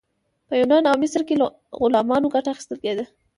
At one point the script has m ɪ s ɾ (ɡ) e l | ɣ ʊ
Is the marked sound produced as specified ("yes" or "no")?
no